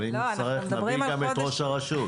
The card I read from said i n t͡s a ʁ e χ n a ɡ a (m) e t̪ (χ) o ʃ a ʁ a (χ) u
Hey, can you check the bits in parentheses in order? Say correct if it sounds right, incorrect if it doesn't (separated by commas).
correct, incorrect, incorrect